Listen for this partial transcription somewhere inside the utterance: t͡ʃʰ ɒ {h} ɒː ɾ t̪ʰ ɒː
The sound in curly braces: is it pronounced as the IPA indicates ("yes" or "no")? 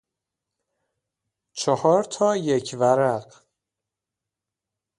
yes